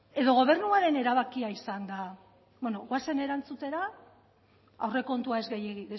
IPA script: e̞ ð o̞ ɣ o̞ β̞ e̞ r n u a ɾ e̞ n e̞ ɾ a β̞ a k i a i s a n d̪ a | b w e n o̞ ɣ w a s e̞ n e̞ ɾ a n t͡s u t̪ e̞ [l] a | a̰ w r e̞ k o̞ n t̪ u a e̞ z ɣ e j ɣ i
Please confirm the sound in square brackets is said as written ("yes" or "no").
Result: no